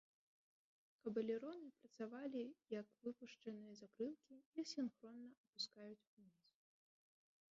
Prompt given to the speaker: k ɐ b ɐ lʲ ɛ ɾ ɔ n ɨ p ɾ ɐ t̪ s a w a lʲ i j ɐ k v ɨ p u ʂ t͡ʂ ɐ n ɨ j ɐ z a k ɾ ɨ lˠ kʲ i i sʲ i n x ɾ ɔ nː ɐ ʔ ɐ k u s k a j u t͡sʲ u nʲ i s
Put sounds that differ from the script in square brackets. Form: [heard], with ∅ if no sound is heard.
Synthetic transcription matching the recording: k ɐ b ɐ lʲ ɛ ɾ ɔ n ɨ p ɾ ɐ t̪ s a [v] a lʲ i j ɐ k v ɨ p u ʂ t͡ʂ ɐ n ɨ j ɐ z a k ɾ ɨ lˠ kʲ i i sʲ i n x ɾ ɔ nː ɐ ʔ ɐ [p] u s k a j u t͡sʲ u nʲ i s